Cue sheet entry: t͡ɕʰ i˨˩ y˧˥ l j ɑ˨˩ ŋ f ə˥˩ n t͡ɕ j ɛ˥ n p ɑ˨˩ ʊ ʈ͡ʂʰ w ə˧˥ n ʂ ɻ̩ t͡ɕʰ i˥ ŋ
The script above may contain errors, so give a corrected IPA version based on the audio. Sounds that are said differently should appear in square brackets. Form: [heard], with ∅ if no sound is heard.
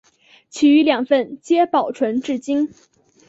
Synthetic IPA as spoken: t͡ɕʰ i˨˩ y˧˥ l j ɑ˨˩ ŋ f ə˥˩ n t͡ɕ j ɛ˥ [∅] p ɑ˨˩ ʊ ʈ͡ʂʰ w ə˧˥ n [ʈ͡ʂ] ɻ̩ [t͡ɕ] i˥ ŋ

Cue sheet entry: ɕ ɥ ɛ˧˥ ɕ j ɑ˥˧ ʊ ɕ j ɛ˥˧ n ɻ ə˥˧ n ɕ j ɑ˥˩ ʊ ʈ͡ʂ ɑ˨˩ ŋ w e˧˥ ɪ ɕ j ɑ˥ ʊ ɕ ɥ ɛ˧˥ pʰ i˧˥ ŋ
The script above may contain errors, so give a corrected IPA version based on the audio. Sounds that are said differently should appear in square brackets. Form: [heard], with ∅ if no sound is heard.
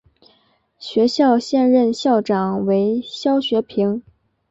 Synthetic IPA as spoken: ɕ ɥ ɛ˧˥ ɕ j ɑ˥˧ ʊ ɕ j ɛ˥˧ n ɻ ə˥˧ n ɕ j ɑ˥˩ ʊ ʈ͡ʂ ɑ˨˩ ŋ w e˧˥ ɪ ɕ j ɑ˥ ʊ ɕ ɥ ɛ˧˥ pʰ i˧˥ ŋ

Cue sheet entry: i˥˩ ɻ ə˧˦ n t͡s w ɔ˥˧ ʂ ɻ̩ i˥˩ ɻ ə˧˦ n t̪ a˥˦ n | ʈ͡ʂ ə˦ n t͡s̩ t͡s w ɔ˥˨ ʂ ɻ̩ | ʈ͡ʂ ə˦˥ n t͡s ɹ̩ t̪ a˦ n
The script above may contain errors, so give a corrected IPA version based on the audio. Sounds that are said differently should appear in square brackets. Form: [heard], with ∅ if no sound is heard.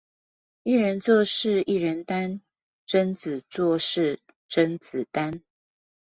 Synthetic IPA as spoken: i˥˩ ɻ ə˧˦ n t͡s w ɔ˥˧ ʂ ɻ̩ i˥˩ ɻ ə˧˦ n t̪ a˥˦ n | ʈ͡ʂ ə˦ n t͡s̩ t͡s w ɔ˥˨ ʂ ɻ̩ | ʈ͡ʂ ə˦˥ n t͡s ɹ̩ t̪ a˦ n

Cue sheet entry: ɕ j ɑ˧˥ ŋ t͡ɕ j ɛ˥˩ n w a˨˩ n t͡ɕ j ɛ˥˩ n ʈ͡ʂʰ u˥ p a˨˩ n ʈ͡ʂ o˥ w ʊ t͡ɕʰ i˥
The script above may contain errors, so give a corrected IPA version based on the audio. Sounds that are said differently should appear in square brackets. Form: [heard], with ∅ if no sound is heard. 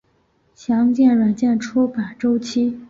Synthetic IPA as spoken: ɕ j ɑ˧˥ ŋ t͡ɕ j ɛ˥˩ n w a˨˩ n t͡ɕ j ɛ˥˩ n ʈ͡ʂʰ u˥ p a˨˩ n ʈ͡ʂ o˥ [∅] ʊ t͡ɕʰ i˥

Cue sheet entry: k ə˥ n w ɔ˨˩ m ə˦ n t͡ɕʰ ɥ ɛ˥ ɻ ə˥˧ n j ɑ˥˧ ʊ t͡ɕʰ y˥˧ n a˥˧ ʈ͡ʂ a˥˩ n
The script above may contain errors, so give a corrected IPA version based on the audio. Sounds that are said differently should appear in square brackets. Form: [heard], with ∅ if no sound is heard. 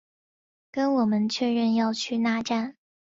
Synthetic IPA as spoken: k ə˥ n w ɔ˨˩ m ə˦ n t͡ɕʰ ɥ [ɛ˥˧] ɻ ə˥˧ n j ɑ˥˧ ʊ t͡ɕʰ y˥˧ n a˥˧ ʈ͡ʂ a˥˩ n

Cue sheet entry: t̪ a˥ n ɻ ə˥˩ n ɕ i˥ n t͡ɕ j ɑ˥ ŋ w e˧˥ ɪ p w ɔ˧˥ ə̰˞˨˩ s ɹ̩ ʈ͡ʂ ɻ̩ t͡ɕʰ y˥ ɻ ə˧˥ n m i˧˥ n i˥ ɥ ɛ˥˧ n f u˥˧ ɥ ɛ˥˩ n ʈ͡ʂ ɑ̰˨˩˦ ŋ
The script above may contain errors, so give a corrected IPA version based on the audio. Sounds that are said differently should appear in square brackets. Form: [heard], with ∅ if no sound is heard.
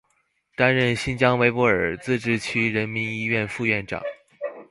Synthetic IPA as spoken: t̪ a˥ n ɻ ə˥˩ n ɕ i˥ n t͡ɕ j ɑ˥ ŋ w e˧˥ ɪ p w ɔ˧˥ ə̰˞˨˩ [t͡s] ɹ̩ ʈ͡ʂ ɻ̩ t͡ɕʰ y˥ ɻ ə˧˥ n m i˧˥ n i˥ ɥ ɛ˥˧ n f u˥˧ ɥ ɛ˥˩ n ʈ͡ʂ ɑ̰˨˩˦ ŋ

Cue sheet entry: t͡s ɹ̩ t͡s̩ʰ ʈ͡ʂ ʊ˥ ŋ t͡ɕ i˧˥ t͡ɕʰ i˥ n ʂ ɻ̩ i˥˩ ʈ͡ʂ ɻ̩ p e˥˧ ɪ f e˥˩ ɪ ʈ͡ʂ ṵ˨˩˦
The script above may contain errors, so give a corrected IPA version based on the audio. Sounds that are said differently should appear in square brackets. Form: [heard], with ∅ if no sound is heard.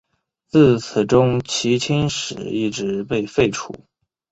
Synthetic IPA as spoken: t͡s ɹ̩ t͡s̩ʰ ʈ͡ʂ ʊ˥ ŋ [t͡ɕʰ] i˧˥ t͡ɕʰ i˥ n ʂ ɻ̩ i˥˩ ʈ͡ʂ ɻ̩ p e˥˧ ɪ f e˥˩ ɪ [ʈ͡ʂʰ] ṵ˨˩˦

